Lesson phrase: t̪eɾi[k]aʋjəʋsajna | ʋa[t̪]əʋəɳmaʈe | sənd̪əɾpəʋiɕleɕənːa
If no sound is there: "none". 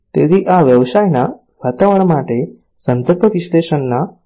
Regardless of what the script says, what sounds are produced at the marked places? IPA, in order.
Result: ʔ, t̪

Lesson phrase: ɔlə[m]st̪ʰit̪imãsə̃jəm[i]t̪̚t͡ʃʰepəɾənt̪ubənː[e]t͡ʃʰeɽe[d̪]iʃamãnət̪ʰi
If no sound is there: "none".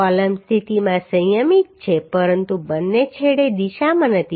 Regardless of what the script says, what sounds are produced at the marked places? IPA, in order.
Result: m, i, e, d̪

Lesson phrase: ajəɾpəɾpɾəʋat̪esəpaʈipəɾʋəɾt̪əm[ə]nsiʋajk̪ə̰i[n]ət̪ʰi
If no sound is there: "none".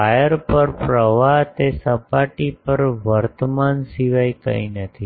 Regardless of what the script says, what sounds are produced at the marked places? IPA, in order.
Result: a, n

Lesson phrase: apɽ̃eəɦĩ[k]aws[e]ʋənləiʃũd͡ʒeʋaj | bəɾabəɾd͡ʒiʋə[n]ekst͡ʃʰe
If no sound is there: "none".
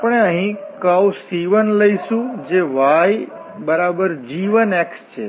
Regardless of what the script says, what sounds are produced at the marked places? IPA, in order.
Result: k, i, n

